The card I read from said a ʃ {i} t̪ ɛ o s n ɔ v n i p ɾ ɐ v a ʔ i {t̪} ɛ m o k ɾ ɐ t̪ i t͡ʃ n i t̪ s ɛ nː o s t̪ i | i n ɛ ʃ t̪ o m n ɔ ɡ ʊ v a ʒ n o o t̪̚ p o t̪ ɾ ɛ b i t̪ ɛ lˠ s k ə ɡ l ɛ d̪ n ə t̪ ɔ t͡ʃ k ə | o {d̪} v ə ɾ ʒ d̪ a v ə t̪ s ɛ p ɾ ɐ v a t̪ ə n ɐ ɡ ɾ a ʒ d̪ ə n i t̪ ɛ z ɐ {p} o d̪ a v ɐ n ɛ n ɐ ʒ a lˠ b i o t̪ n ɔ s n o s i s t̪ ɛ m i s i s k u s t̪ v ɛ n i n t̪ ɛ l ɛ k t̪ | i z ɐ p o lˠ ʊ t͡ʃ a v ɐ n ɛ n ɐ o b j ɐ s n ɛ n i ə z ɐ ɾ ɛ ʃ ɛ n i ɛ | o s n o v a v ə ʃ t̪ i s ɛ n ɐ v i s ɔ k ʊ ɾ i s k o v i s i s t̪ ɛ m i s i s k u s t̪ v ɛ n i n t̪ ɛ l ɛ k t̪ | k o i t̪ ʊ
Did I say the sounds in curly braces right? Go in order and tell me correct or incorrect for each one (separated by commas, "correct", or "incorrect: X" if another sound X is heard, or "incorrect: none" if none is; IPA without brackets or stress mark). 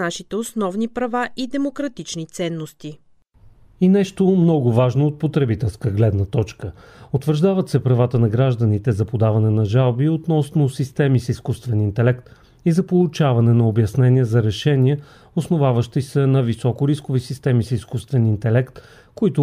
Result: correct, incorrect: d̪, incorrect: t̪, correct